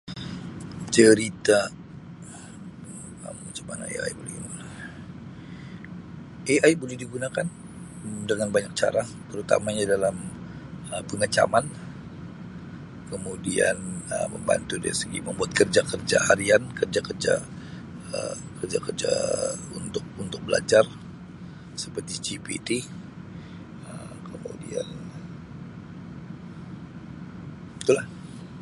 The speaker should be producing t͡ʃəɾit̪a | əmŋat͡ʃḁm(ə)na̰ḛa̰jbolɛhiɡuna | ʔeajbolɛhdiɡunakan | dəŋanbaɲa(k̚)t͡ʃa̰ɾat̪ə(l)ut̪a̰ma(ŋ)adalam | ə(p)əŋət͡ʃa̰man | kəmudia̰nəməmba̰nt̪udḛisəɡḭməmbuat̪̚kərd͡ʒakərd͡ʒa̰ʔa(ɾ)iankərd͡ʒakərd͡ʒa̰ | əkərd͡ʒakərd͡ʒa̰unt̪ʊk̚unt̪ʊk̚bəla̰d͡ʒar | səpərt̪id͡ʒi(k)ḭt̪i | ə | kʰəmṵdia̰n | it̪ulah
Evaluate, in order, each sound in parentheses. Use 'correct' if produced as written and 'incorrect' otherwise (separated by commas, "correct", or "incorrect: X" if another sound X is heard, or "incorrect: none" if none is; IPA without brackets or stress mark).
incorrect: a, correct, incorrect: ɾ, incorrect: ɲ, correct, correct, incorrect: p